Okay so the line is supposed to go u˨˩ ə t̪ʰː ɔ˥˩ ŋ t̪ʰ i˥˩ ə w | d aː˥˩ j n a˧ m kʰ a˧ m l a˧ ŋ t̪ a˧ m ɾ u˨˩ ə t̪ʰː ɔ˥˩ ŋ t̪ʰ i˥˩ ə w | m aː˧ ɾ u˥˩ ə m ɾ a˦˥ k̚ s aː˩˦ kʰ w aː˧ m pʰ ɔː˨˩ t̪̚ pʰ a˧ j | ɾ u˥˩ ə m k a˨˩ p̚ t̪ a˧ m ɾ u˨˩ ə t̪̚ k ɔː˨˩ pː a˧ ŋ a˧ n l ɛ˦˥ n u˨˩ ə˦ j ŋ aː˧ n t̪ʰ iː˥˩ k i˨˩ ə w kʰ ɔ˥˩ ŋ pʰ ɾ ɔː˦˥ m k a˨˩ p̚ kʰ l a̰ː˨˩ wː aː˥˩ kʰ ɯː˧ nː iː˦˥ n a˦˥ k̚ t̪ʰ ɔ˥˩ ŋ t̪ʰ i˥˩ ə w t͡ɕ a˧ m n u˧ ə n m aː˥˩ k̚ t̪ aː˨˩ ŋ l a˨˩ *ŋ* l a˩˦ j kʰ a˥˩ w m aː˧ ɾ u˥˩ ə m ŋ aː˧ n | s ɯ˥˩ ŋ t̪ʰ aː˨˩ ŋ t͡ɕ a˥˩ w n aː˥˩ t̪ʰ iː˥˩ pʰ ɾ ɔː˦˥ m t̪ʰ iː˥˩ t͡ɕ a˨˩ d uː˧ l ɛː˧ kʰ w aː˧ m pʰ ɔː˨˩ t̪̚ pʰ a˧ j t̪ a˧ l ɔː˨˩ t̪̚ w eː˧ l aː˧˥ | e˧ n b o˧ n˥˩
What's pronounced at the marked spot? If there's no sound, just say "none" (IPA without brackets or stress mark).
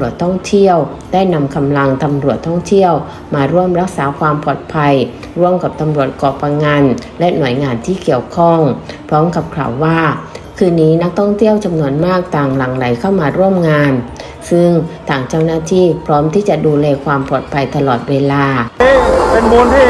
ŋ